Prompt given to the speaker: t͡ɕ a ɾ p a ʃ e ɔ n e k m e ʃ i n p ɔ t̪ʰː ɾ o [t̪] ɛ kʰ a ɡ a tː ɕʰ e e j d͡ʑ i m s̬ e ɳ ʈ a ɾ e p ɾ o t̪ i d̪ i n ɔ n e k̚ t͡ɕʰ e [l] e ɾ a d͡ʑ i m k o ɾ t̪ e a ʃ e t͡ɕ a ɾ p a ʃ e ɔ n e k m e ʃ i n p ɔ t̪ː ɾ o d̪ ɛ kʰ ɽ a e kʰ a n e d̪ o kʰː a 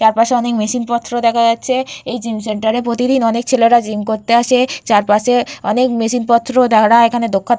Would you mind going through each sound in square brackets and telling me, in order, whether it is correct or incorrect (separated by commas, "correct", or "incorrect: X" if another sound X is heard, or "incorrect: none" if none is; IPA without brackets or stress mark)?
incorrect: d̪, correct